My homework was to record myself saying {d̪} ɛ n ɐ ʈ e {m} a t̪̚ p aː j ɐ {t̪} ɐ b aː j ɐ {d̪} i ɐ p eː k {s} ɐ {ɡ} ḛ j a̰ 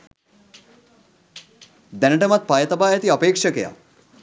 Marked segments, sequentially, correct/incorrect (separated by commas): correct, correct, correct, incorrect, incorrect, incorrect